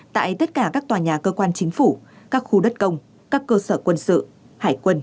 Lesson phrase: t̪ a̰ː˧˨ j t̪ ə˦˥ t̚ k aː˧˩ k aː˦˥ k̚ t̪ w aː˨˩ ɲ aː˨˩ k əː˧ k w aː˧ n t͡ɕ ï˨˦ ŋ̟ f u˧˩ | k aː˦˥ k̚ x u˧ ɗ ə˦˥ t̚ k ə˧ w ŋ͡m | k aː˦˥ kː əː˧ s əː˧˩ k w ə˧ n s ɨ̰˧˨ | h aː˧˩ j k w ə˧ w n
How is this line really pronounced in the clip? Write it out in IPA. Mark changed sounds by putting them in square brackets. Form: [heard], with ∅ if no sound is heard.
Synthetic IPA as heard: t̪ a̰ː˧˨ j t̪ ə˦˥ t̚ k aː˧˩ k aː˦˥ k̚ t̪ w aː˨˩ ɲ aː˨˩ k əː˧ k w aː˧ n t͡ɕ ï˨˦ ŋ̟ f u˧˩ | k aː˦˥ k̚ x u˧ ɗ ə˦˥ t̚ k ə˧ w ŋ͡m | k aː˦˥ kː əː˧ s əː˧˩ k w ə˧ n s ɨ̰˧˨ | h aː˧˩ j k w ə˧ [∅] n